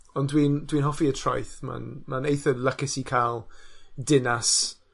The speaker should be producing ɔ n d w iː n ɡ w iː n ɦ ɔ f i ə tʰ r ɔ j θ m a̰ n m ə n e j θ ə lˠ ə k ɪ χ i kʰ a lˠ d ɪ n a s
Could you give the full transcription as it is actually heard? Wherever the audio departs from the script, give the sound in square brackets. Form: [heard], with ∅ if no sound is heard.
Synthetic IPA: ɔ n d w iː n [d] w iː n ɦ ɔ f i ə tʰ r ɔ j θ m a̰ n m [a] n e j θ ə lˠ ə k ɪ [s] i kʰ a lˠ d ɪ n a s